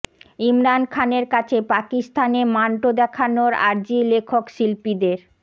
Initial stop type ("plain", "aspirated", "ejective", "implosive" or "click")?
aspirated